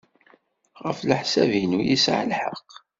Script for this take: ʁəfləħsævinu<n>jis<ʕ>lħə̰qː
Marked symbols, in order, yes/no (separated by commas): no, yes